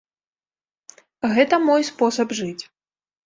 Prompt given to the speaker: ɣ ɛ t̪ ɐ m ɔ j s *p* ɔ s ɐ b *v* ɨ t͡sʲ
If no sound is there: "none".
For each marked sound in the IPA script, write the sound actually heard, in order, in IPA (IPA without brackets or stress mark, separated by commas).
p, ʐ